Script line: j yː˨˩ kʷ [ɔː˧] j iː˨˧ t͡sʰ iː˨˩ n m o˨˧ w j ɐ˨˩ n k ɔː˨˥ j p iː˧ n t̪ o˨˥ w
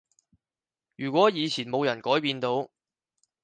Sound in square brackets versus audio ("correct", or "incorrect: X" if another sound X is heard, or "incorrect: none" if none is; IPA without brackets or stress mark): incorrect: ɔː˨˥